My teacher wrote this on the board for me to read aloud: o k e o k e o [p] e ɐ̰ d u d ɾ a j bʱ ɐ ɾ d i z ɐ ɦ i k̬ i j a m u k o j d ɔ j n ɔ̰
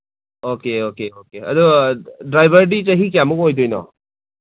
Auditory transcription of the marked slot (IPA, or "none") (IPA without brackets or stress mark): k